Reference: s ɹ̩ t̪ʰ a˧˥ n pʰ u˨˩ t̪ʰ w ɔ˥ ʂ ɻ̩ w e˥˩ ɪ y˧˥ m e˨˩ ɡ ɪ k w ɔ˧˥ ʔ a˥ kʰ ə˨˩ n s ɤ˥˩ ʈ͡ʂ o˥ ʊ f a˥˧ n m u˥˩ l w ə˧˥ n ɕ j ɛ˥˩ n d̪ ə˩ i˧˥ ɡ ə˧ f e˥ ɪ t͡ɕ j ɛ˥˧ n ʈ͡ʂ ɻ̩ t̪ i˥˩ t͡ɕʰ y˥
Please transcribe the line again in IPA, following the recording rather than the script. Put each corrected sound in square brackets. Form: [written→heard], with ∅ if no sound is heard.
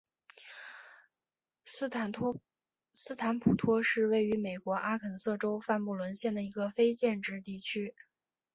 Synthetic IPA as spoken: s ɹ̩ t̪ʰ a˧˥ n pʰ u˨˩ t̪ʰ w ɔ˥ ʂ ɻ̩ w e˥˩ ɪ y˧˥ m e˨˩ [ɡ→∅] ɪ k w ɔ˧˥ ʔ a˥ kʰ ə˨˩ n s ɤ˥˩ ʈ͡ʂ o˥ ʊ f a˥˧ n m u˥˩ l w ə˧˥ n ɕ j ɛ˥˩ n d̪ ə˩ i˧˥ ɡ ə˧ f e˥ ɪ t͡ɕ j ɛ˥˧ n ʈ͡ʂ ɻ̩ t̪ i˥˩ t͡ɕʰ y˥